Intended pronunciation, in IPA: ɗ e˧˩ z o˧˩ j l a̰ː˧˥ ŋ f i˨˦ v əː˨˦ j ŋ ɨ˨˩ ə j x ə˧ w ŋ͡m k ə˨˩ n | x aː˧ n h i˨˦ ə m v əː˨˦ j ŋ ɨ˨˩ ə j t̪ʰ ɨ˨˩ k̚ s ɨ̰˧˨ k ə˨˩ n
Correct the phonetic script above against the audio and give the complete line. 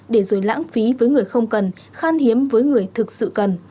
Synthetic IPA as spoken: ɗ e˧˩ z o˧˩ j l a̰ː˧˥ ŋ f i˨˦ v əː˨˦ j ŋ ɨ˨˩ ə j x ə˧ w ŋ͡m k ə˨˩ n | x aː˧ n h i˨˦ ə m v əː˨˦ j ŋ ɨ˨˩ ə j t̪ʰ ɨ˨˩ k̚ s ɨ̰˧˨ k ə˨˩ n

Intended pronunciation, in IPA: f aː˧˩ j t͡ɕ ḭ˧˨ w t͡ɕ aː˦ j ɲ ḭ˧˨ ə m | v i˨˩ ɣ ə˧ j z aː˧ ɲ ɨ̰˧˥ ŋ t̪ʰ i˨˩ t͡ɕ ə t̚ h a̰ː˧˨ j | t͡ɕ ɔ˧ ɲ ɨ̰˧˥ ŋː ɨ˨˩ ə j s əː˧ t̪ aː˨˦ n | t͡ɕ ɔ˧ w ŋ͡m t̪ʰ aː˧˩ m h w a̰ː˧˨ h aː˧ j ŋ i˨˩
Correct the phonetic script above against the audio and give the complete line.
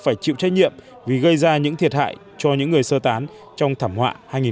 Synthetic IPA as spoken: f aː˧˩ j t͡ɕ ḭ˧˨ w t͡ɕ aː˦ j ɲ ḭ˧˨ ə m | v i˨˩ ɣ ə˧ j z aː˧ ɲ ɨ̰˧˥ ŋ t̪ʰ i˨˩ ə t̚ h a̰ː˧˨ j | t͡ɕ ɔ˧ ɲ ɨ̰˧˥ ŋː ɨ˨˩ ə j s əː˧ t̪ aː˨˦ n | t͡ɕ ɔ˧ w ŋ͡m t̪ʰ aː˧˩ m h w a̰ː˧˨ h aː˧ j ŋ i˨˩

